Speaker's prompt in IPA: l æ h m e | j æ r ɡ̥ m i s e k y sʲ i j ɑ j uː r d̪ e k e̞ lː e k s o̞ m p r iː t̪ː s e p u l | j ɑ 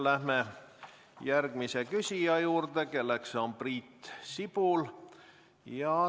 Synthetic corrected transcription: l æ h m e | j æ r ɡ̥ m i s e k y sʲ i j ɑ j uː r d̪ e k e̞ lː e k s o̞ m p r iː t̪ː s i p u l | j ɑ

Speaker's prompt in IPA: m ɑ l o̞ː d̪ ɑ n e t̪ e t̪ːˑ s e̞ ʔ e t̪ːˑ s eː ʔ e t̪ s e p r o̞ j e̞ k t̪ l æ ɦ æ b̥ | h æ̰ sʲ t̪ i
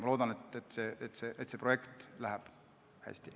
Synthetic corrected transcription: m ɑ l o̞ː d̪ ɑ n e t̪ e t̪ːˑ s e̞ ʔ e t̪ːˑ s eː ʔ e t̪ s e p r o̞ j e̞ k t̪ l æ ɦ æ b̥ | h æ̰ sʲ t̪ i

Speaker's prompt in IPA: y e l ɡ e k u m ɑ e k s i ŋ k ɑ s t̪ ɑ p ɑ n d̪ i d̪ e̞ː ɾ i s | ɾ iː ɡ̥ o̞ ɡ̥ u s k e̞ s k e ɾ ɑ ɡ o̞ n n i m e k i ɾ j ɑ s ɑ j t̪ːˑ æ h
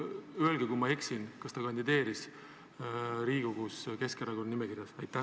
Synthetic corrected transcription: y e l ɡ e k u m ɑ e k s i n k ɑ s t̪ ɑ k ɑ n d̪ i d̪ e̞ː ɾ i s | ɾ iː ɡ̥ o̞ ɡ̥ u s k e̞ s k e ɾ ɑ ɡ o̞ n n i m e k i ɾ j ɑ s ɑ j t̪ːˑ æ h

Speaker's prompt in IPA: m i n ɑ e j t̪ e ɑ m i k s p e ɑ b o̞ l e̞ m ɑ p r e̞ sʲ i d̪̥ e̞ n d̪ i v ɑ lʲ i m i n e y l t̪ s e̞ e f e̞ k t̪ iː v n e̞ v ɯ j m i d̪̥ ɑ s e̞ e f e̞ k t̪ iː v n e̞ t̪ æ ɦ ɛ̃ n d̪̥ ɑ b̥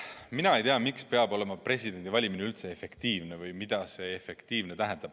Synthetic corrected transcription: m i n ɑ e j t̪ e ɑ m i k s p e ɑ b o̞ l e̞ m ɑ p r e̞ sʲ i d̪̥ e̞ n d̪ i v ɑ lʲ i m i n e y l t̪ s e̞ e f e̞ k t̪ iː v n e̞ v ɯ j m i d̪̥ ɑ s e̞ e f e̞ k t̪ iː v n e̞ t̪ æ ɦ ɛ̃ n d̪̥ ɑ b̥

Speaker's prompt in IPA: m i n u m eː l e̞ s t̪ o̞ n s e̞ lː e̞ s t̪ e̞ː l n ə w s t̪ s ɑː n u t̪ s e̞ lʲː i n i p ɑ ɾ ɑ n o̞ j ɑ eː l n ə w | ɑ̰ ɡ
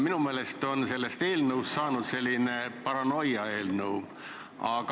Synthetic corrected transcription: m i n u m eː l e̞ s t̪ o̞ n s e̞ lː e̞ s t̪ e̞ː l n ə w s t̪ s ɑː n u d̪ s e̞ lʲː i n e p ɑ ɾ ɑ n o̞ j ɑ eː l n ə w | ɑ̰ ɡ

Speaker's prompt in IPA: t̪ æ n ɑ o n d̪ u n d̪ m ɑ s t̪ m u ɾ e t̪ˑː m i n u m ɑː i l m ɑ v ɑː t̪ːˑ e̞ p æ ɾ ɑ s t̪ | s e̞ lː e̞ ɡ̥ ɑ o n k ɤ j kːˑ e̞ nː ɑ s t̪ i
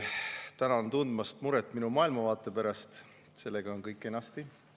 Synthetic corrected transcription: t̪ æ n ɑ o n t̪ u n d̪ m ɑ s t̪ m u ɾ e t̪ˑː m i n u m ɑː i l m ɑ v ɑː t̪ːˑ e̞ p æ ɾ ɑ s t̪ | s e̞ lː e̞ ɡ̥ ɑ o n k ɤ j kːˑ e̞ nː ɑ s t̪ i

